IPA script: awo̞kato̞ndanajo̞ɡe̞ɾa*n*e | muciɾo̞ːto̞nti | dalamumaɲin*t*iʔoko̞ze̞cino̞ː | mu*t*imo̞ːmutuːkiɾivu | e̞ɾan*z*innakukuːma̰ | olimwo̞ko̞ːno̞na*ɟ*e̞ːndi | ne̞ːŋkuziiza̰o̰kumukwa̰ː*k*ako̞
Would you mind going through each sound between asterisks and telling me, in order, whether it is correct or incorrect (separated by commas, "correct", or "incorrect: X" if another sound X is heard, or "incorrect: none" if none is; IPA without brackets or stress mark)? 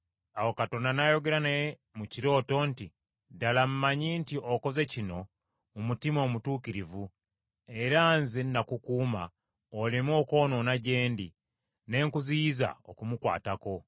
correct, correct, correct, correct, correct, incorrect: t